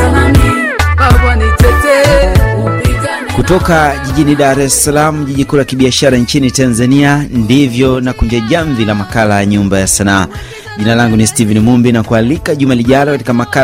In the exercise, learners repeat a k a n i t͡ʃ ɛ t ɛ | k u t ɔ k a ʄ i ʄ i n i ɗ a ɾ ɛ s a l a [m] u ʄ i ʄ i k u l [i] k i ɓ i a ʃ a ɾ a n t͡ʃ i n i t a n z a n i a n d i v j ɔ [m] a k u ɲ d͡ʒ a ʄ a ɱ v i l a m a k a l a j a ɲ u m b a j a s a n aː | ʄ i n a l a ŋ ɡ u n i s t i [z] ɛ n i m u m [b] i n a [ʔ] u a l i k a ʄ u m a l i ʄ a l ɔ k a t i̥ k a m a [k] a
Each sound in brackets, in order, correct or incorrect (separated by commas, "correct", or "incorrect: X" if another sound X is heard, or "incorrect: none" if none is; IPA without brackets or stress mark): correct, incorrect: a, incorrect: n, incorrect: v, correct, incorrect: k, correct